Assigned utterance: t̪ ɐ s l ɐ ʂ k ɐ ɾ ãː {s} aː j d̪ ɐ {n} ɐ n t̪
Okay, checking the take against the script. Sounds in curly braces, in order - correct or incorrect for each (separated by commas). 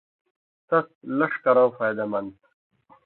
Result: incorrect, incorrect